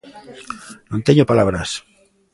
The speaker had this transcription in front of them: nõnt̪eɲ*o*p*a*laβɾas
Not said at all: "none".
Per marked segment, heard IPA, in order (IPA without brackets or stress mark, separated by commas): o, a